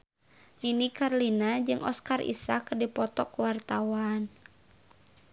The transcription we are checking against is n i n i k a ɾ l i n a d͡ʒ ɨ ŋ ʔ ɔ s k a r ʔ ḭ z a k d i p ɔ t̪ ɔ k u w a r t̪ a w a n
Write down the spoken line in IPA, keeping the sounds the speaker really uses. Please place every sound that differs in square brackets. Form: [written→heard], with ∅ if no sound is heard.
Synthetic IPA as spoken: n i n i k a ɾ l i n a d͡ʒ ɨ ŋ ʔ ɔ s k a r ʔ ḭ [z→s] a k d i p ɔ t̪ ɔ k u w a r t̪ a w a n